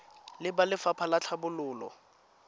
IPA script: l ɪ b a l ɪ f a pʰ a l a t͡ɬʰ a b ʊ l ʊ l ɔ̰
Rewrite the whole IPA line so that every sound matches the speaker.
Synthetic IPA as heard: l ɪ b a l ɪ f a pʰ a l a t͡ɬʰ a b ʊ l ʊː l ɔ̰